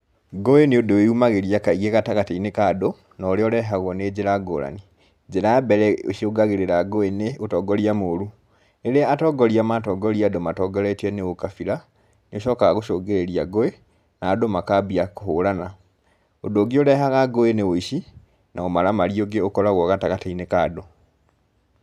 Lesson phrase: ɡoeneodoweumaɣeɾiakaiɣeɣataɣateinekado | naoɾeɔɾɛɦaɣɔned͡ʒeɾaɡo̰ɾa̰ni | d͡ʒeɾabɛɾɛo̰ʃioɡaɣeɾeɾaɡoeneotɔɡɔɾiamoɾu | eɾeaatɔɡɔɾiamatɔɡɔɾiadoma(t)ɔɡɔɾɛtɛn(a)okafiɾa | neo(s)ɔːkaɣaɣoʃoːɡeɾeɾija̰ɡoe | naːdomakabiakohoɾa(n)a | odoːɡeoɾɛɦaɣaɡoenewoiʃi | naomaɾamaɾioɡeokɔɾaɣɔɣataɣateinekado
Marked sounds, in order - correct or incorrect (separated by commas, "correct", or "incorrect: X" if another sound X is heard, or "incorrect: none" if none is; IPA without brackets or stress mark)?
correct, incorrect: e, incorrect: ʃ, correct